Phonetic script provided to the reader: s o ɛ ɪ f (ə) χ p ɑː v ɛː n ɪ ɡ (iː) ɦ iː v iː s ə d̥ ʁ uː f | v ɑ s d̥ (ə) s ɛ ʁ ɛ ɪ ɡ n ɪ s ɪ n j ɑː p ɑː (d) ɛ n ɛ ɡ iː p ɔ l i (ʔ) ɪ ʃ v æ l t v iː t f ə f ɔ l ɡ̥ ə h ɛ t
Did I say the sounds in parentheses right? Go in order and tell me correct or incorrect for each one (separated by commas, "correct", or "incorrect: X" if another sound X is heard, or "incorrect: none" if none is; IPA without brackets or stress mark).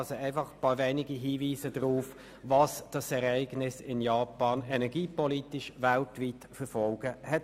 incorrect: ɑ, incorrect: i, incorrect: ɑ, incorrect: n, incorrect: t